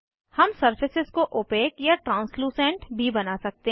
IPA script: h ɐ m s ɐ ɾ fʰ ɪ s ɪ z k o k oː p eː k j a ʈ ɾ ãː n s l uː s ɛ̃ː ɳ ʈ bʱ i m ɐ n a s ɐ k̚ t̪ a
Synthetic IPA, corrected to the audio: h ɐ m s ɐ ɾ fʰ ɪ s ɪ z k o ʔ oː p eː k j a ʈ ɾ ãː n s l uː s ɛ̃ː ɳ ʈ bʱ i b ɐ n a s ɐ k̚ t̪ e